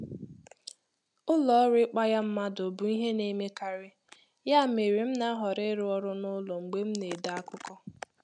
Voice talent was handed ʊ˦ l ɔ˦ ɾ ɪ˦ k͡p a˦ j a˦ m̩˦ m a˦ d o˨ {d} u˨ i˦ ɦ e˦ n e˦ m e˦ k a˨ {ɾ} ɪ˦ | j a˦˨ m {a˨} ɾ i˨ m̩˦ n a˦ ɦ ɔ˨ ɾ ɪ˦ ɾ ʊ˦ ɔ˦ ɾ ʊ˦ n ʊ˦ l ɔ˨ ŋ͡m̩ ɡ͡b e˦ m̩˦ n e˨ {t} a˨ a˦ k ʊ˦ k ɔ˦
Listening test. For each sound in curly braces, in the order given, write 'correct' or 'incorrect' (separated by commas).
incorrect, correct, incorrect, incorrect